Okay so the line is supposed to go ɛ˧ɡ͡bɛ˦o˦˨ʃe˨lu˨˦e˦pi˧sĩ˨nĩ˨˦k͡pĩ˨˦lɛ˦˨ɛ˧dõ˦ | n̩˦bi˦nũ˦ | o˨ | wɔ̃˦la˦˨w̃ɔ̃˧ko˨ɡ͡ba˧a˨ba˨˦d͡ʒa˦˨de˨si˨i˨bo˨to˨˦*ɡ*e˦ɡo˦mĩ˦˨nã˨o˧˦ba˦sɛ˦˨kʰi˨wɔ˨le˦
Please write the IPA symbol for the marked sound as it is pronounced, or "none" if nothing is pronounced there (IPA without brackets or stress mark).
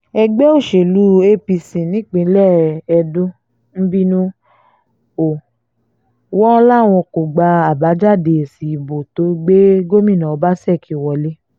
ɡ͡b